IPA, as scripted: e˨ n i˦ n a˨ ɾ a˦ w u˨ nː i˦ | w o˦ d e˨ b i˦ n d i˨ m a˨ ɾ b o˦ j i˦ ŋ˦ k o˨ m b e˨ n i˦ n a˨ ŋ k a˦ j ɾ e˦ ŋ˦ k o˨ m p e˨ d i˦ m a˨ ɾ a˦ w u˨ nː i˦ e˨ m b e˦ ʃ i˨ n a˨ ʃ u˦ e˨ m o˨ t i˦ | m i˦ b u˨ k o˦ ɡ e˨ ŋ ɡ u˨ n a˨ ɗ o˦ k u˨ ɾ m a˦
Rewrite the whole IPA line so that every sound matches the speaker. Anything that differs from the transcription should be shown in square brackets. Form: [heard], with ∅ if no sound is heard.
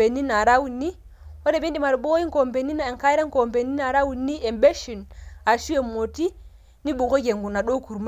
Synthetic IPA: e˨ n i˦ n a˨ ɾ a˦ w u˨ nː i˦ | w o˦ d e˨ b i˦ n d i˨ m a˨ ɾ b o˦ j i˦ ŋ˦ k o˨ m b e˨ n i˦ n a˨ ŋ k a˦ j ɾ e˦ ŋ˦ k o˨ m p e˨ [n] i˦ [n] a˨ ɾ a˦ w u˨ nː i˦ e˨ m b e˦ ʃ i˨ n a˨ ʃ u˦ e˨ m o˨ t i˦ | [n] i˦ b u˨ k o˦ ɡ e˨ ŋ ɡ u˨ n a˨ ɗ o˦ k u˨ ɾ m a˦